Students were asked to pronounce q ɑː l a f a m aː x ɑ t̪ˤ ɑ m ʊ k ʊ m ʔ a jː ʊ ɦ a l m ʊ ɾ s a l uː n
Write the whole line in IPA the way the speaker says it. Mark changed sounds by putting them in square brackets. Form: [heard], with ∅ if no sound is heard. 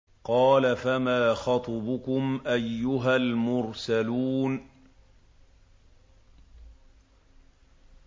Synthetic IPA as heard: q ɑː l a f a m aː x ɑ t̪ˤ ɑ [b] ʊ k ʊ m ʔ a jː ʊ ɦ a l m ʊ ɾ s a l uː n